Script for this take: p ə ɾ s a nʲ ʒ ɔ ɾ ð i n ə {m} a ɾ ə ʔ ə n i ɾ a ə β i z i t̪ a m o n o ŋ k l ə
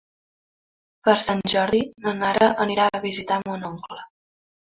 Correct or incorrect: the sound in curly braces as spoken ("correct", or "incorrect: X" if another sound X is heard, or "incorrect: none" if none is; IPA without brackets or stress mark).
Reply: incorrect: n